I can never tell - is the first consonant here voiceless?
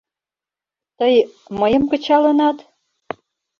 yes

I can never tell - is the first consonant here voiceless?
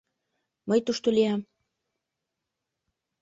no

